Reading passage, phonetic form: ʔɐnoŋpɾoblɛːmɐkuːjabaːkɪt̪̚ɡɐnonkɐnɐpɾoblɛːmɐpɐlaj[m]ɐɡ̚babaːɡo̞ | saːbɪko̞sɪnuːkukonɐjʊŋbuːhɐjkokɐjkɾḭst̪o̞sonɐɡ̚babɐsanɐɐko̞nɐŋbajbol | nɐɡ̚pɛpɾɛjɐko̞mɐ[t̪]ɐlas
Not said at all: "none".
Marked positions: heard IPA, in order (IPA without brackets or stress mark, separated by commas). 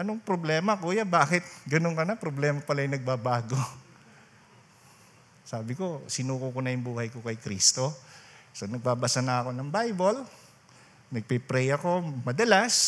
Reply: n, d̪